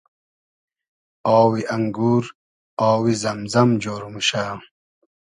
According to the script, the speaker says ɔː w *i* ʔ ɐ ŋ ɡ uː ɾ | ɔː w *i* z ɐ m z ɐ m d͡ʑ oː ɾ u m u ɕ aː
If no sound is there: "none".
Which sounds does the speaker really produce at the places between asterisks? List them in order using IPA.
i, i

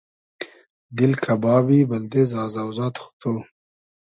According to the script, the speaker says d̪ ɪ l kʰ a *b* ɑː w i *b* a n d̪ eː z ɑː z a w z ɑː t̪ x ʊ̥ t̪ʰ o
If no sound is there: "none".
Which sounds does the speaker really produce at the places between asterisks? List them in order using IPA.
b, b

